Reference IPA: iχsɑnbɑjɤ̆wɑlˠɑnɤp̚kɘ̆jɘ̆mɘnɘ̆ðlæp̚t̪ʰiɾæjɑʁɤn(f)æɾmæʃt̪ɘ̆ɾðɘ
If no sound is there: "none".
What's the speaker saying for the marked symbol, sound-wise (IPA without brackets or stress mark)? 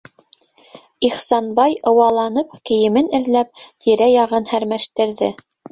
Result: h